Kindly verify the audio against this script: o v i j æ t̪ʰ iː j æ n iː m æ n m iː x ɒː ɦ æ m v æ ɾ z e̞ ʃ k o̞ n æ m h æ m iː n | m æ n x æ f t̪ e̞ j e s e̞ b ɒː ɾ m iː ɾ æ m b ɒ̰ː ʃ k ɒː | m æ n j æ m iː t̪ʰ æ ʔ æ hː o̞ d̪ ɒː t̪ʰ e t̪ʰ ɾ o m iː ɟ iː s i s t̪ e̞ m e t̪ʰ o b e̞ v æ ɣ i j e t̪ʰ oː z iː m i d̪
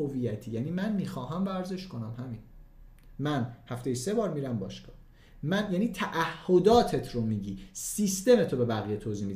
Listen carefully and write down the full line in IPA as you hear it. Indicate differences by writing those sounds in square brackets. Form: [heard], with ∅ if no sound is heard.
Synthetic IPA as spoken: o v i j æ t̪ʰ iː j æ n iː m æ n m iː x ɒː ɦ æ m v æ ɾ z e̞ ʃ k o̞ n æ m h æ m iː n | m æ n [h] æ f t̪ e̞ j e s e̞ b ɒː ɾ m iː ɾ æ m b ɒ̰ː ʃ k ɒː | m æ n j æ [n] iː t̪ʰ æ ʔ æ hː o̞ d̪ ɒː t̪ʰ e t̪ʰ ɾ o m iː ɟ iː s i s t̪ e̞ m e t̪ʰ o b e̞ [b] æ ɣ i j e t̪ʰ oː z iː m i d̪